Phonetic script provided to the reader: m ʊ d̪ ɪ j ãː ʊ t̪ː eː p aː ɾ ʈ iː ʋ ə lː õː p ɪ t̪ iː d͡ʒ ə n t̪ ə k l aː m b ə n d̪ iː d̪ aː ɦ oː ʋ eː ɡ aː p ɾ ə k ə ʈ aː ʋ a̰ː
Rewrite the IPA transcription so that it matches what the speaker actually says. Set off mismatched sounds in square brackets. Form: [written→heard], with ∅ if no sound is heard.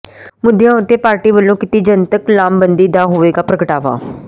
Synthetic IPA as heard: m ʊ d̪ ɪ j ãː ʊ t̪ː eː p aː ɾ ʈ iː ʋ ə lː õː [p→k] ɪ t̪ iː d͡ʒ ə n t̪ ə k l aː m b ə n d̪ iː d̪ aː ɦ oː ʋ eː ɡ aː p ɾ ə k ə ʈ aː ʋ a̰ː